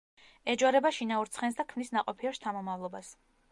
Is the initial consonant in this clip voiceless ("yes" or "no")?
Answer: no